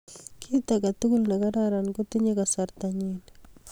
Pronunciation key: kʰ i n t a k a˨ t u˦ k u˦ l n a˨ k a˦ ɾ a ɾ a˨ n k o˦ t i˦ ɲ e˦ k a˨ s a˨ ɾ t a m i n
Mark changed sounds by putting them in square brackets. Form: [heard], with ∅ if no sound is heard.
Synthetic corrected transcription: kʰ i [∅] t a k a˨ t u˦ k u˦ l n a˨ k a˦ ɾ a ɾ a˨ n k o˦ t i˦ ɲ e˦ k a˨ s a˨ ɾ t a [ɲ] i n